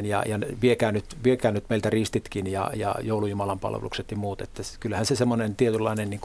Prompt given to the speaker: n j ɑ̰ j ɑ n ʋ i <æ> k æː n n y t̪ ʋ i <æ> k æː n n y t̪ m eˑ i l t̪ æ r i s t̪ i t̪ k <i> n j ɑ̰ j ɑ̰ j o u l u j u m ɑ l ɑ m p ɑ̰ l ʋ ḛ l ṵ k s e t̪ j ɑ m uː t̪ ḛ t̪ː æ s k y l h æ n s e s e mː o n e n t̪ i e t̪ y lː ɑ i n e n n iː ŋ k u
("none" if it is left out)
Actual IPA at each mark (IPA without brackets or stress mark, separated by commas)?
e, e, i